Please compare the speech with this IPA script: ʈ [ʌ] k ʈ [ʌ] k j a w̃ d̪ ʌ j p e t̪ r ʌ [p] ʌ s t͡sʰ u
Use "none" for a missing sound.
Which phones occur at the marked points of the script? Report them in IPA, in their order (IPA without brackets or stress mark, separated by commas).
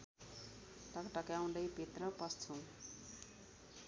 ʌ, ʌ, p